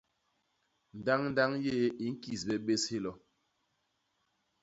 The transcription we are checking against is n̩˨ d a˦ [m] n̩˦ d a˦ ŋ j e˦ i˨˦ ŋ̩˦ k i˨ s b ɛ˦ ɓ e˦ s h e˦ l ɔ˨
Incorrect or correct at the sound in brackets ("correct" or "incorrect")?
incorrect